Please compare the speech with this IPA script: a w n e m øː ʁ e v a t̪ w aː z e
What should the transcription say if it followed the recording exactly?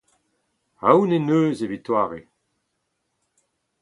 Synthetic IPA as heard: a w n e n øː z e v i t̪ w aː ʁ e